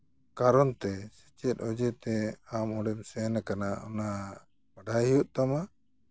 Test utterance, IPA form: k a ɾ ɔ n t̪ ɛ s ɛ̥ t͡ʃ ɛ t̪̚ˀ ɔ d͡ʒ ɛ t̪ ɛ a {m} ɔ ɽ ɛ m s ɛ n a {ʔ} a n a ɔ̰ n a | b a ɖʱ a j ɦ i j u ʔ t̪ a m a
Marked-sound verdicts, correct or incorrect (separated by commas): correct, incorrect